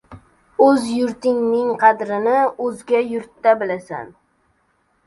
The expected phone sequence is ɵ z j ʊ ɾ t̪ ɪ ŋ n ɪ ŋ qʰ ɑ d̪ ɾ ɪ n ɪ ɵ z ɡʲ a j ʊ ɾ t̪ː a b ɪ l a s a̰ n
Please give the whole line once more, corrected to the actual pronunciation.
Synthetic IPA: ɵ z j ʊ ɾ t̪ ɪ ŋ n ɪ ŋ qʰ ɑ d̪ ɾ ɪ n ɪ ɵ z ɡʲ a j ʊ ɾ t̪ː a b ɪ l a s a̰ n